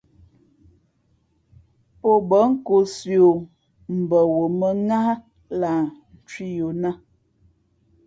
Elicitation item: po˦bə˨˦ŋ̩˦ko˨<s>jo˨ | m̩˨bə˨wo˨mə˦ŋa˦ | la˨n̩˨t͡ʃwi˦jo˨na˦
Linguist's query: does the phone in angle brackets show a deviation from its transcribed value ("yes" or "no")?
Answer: no